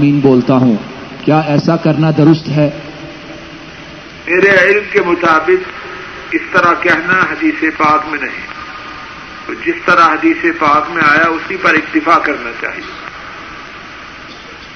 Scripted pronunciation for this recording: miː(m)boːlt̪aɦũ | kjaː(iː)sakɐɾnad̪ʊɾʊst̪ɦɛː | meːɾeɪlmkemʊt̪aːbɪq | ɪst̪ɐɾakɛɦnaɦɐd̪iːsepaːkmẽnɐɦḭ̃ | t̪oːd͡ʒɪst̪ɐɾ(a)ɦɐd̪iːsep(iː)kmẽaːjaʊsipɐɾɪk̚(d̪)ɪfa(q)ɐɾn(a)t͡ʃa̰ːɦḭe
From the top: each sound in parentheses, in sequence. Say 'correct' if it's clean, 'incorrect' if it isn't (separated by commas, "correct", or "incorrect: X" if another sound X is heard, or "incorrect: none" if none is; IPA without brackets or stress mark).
incorrect: n, incorrect: ɛː, correct, incorrect: aː, incorrect: t̪, incorrect: k, correct